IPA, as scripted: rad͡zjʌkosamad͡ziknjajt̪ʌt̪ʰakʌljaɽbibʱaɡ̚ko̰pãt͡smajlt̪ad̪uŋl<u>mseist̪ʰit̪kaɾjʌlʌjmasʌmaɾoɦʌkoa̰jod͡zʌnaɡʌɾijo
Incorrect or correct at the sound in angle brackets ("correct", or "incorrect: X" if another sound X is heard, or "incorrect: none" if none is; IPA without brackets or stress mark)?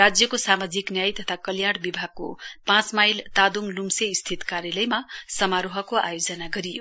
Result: correct